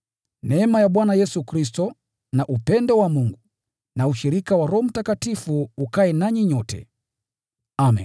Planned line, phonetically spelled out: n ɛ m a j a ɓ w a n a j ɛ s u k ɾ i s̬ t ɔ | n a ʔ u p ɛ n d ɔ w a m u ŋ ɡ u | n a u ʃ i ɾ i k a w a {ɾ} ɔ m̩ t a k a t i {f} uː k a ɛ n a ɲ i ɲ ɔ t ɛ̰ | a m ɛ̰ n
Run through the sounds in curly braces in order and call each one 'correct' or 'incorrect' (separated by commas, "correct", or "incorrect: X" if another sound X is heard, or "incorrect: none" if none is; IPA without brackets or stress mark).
correct, correct